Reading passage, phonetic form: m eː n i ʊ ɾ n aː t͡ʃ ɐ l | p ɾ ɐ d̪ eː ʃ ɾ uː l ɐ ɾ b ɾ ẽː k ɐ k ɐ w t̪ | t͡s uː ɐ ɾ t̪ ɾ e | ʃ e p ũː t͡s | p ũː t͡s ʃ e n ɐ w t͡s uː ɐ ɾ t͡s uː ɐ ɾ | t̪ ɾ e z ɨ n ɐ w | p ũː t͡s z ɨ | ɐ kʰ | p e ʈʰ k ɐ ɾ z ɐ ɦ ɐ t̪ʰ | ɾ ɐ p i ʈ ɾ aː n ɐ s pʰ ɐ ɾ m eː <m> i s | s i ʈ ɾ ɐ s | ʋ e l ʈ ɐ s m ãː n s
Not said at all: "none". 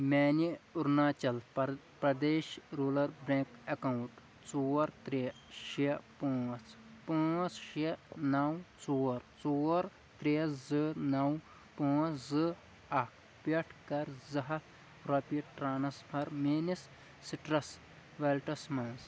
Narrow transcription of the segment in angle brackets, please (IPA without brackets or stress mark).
n